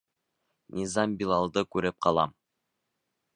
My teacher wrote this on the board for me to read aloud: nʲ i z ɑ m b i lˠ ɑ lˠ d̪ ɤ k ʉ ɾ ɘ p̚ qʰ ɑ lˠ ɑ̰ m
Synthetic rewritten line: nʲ i z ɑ m b i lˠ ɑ lˠ d̪ ɤ k ʉ ɾ ɘ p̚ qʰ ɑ lˠ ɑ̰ m